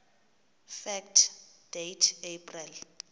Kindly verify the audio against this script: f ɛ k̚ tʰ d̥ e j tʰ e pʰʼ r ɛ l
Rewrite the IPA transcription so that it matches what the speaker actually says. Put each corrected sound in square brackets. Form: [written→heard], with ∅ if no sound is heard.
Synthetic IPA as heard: f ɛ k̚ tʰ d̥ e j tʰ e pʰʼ r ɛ l